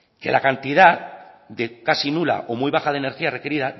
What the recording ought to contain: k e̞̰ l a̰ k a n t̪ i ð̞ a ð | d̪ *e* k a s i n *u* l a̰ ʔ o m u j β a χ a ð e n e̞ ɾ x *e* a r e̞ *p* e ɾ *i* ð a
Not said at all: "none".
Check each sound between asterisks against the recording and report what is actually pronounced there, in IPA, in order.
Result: e, u, i, k, i

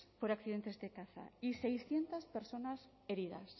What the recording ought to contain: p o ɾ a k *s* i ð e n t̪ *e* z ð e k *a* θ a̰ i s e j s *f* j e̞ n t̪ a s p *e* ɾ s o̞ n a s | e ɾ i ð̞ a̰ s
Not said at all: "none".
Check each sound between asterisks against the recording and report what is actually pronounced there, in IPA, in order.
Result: θ, e, a, θ, e

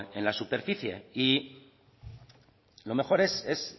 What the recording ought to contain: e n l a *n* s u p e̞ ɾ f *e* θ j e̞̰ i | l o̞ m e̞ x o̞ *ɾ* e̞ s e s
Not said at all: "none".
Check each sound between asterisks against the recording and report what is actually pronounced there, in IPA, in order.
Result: none, i, ɾ

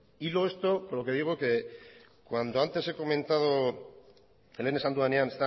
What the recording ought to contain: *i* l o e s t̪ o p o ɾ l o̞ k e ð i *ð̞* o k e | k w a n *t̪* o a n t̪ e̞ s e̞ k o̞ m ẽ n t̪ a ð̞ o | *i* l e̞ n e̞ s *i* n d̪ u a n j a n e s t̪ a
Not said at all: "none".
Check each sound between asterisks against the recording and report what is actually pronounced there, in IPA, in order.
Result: i, ɣ̞, d̪, e, a

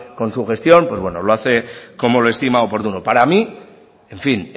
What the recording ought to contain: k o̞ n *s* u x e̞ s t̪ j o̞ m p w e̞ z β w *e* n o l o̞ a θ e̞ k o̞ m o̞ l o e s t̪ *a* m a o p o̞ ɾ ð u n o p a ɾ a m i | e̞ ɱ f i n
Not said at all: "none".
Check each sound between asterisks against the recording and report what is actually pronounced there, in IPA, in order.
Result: s, e, i

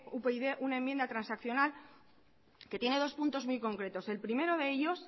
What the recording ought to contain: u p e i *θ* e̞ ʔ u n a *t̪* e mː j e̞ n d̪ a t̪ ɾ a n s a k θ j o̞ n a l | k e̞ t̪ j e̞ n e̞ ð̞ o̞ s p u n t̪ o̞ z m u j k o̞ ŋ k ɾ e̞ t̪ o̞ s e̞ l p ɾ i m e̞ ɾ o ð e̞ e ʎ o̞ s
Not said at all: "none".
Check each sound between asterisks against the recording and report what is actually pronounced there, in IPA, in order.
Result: ð, none

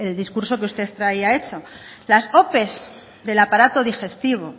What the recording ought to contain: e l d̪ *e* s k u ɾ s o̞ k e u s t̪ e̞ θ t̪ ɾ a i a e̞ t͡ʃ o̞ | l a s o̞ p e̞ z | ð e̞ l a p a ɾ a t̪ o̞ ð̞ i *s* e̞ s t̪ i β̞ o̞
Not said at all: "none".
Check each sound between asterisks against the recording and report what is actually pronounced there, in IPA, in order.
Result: i, x

